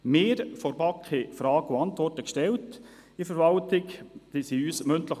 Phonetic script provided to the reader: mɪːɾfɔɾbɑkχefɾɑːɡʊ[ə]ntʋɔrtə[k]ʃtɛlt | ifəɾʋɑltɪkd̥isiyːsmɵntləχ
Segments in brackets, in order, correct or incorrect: incorrect, correct

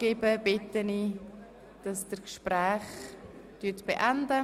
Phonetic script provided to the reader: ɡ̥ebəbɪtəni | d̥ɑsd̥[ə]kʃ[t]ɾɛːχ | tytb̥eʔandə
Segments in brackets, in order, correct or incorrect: correct, incorrect

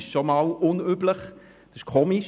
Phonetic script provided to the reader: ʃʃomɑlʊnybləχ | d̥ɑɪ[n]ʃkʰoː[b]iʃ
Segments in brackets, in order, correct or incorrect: incorrect, incorrect

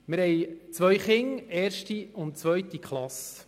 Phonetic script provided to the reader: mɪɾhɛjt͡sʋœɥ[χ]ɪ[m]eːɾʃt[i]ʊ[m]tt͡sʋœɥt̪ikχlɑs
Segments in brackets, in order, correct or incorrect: correct, incorrect, correct, incorrect

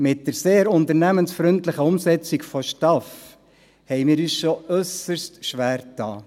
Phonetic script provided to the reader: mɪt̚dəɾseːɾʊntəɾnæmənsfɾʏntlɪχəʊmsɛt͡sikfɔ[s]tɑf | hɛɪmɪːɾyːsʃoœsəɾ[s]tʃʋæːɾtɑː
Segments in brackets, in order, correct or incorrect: incorrect, correct

